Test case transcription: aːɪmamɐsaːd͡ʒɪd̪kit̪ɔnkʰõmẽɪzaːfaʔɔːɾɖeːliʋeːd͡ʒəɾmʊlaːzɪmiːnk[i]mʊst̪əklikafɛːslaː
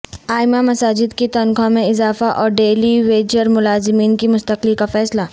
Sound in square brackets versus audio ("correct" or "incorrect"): correct